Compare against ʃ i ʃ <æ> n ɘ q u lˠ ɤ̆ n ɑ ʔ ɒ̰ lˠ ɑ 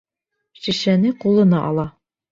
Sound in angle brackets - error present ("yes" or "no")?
no